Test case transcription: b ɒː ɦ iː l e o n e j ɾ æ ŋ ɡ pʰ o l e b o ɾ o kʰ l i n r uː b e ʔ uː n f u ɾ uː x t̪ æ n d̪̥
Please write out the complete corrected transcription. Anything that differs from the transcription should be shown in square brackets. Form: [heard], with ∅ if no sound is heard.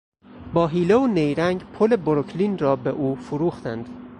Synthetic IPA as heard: b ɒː ɦ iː l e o n e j ɾ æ ŋ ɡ pʰ o l e b o ɾ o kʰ l i n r [ɒː] b e ʔ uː [∅] f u ɾ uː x t̪ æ n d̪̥